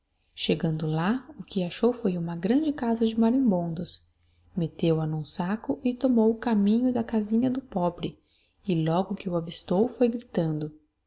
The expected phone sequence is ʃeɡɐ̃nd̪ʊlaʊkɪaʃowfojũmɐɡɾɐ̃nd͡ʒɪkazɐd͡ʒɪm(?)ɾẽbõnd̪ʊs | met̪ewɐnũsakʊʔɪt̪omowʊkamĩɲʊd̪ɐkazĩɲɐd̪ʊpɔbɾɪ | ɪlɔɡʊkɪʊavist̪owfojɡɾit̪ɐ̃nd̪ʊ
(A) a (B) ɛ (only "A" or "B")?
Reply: A